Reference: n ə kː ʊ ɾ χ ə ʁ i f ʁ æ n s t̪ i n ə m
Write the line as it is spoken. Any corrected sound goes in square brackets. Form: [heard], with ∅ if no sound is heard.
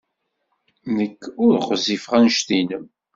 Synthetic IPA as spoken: n ə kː ʊ ɾ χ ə [z] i f ʁ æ n [ʃ] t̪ i n ə m